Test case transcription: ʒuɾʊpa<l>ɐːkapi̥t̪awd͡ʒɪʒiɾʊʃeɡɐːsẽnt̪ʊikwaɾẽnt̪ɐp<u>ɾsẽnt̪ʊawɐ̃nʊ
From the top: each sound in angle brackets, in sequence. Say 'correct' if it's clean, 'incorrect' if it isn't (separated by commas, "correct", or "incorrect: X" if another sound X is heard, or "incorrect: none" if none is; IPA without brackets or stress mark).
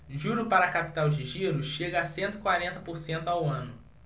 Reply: incorrect: ɾ, incorrect: o